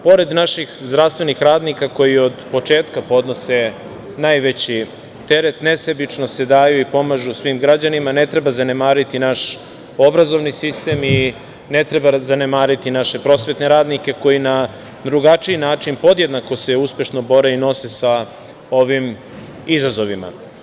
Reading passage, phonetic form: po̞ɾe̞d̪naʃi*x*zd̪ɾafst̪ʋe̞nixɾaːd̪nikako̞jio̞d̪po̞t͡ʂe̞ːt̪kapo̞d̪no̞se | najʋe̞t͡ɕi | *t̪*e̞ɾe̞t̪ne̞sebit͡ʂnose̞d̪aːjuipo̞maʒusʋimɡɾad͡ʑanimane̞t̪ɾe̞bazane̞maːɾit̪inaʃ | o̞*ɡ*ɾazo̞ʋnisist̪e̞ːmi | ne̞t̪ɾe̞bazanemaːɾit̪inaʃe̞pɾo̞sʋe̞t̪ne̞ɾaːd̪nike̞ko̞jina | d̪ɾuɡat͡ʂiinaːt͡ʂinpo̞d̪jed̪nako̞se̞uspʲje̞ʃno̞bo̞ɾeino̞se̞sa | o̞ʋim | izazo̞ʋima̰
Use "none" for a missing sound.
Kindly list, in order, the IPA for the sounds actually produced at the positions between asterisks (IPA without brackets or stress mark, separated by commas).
x, t̪, b